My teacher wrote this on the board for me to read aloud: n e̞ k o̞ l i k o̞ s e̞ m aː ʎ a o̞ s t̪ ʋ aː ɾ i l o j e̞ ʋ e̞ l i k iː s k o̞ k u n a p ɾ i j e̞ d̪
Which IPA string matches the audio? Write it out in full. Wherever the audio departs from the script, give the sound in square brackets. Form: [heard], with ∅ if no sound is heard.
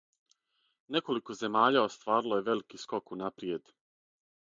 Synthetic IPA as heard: n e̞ k o̞ l i k o̞ [z] e̞ m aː ʎ a o̞ s t̪ ʋ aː ɾ i l o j e̞ ʋ e̞ l i k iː s k o̞ k u n a p ɾ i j e̞ d̪